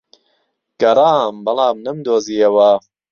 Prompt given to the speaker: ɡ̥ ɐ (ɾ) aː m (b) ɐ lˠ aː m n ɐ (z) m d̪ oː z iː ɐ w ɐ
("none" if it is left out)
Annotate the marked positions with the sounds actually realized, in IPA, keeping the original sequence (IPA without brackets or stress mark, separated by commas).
ɾ, b, none